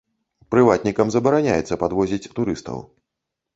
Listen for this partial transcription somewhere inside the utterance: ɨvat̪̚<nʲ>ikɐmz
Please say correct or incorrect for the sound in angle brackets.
correct